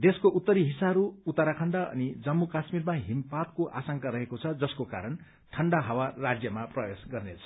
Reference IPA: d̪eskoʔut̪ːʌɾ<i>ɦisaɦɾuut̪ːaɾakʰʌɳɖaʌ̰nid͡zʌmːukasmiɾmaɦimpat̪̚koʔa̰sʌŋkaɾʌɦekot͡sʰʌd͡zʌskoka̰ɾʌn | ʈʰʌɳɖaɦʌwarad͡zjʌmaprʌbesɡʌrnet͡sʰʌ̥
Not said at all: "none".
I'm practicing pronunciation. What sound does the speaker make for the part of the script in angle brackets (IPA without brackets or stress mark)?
i